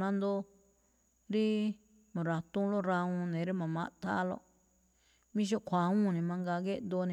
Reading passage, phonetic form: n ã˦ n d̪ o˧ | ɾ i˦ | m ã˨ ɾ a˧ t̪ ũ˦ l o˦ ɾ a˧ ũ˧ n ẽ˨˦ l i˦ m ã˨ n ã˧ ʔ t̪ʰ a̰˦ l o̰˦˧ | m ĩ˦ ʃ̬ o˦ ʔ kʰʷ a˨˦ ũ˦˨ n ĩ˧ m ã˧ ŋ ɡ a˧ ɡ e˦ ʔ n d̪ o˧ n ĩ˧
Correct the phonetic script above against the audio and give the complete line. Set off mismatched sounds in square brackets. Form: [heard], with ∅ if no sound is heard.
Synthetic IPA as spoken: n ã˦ n d̪ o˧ | ɾ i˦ | m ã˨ ɾ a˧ t̪ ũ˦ l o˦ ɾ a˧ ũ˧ n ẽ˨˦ [ɾ] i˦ m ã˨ [m] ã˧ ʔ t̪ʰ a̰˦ l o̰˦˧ | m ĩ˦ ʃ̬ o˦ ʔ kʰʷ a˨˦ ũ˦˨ n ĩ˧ m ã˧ ŋ ɡ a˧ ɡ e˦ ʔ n d̪ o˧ n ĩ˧